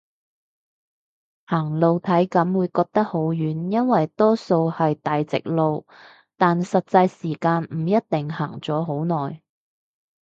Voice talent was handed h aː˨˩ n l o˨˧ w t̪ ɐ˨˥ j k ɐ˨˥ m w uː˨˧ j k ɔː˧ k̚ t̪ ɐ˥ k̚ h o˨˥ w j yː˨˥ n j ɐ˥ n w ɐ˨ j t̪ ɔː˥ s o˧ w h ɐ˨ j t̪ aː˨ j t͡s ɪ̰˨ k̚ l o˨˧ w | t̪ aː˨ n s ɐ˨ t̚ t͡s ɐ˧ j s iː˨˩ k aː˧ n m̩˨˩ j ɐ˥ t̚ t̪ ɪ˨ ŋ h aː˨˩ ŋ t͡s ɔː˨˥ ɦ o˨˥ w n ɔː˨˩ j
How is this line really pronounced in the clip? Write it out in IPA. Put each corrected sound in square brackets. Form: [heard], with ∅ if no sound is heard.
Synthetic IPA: h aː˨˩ [ŋ] l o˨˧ w [t̪ʰ] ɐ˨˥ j k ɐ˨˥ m w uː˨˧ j k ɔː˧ k̚ t̪ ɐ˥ k̚ h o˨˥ w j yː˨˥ n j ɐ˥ n w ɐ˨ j t̪ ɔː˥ s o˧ w h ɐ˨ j t̪ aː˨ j t͡s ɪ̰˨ k̚ l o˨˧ w | t̪ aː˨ n s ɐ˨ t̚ t͡s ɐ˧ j s iː˨˩ k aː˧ n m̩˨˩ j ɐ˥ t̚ t̪ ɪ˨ ŋ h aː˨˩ ŋ t͡s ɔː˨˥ ɦ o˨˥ w n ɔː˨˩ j